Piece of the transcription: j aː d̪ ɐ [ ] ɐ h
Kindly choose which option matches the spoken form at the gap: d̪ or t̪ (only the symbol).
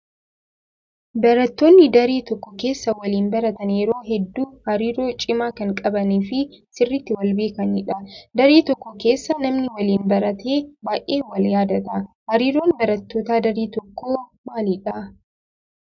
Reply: t̪